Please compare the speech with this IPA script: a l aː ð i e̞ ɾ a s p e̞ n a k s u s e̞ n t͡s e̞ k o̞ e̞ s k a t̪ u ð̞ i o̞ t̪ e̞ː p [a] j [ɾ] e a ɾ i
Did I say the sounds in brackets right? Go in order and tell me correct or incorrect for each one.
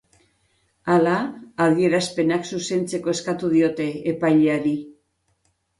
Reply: correct, incorrect

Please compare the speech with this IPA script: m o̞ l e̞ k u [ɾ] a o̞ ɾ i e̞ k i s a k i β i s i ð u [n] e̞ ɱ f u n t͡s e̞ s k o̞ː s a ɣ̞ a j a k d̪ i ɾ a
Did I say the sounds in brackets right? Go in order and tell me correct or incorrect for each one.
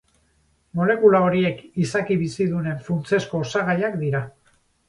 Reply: incorrect, correct

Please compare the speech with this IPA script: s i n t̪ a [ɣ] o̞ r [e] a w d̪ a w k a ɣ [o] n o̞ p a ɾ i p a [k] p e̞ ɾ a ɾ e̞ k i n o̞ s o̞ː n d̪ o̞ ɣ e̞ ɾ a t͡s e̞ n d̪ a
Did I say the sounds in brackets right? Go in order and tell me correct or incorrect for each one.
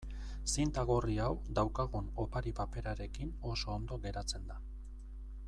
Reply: correct, incorrect, incorrect, incorrect

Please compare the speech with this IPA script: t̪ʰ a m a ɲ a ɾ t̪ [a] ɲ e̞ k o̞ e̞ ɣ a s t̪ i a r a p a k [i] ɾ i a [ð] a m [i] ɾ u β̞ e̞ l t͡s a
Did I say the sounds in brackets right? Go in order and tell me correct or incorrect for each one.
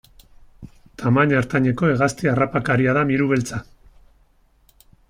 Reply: correct, incorrect, correct, correct

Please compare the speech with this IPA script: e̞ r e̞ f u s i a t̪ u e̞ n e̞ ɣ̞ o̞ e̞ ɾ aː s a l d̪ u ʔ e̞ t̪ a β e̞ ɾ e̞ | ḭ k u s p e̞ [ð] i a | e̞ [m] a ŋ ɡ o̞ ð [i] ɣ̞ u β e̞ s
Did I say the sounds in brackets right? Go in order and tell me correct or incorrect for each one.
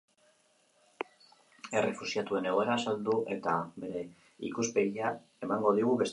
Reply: incorrect, correct, correct

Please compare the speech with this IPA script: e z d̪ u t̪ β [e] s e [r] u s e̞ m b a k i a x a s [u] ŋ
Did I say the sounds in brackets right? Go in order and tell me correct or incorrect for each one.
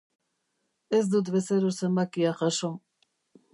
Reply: correct, incorrect, incorrect

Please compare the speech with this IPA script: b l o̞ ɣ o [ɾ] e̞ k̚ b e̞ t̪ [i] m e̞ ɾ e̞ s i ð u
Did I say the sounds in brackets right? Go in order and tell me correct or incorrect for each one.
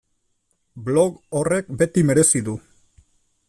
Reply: incorrect, correct

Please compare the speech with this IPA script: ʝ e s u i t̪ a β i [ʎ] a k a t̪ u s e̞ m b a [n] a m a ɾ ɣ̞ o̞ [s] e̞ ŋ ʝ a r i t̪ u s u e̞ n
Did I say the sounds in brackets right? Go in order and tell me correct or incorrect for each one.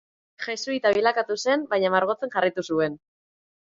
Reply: incorrect, incorrect, incorrect

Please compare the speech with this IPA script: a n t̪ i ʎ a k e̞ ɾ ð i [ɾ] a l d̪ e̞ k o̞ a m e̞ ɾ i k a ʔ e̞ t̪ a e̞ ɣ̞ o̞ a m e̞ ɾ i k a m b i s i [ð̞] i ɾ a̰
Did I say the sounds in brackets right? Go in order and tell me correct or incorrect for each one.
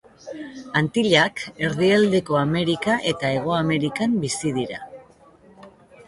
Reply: incorrect, correct

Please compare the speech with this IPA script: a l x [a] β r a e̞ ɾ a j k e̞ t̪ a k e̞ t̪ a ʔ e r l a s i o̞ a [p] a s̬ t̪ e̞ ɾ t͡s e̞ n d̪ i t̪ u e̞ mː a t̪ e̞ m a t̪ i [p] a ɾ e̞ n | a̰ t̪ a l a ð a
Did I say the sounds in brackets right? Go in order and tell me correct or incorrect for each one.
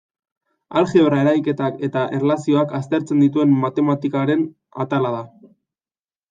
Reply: incorrect, incorrect, incorrect

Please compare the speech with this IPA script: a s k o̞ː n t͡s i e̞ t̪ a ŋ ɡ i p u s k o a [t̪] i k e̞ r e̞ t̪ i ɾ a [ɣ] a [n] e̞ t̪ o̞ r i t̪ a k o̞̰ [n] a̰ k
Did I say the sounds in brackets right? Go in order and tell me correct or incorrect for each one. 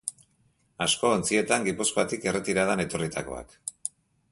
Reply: correct, incorrect, correct, incorrect

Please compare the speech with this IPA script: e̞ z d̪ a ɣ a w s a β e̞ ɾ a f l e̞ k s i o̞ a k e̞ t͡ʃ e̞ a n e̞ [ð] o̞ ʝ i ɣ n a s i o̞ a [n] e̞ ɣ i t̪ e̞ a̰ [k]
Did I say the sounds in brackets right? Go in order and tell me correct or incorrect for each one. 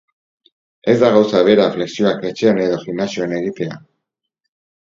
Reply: correct, correct, incorrect

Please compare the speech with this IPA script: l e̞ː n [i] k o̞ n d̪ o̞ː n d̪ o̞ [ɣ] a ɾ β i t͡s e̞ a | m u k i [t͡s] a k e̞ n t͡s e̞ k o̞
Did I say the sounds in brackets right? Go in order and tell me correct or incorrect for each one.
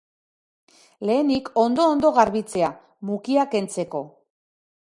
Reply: correct, correct, incorrect

